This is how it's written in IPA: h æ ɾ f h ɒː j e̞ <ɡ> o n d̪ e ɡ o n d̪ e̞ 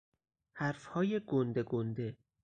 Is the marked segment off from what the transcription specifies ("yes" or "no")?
no